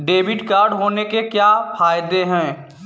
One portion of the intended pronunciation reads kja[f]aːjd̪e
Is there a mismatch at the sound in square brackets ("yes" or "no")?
no